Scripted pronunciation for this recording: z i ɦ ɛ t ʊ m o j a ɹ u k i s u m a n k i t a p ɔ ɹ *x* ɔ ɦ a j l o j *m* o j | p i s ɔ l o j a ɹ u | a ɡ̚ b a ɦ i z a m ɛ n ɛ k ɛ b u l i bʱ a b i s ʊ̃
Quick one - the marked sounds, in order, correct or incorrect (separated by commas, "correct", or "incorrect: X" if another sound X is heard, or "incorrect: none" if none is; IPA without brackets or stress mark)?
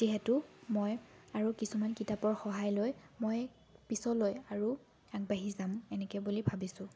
correct, correct